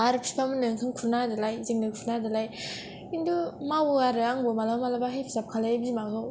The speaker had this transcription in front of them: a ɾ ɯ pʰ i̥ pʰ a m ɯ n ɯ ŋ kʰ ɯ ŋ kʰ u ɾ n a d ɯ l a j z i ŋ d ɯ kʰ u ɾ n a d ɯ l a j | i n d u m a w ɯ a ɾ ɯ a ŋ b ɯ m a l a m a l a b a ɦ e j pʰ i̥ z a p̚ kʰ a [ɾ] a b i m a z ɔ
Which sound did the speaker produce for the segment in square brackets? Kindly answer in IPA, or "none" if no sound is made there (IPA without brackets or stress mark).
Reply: l